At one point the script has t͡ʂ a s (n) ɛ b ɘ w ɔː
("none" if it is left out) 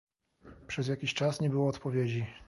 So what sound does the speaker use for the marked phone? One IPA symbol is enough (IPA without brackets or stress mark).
ɲ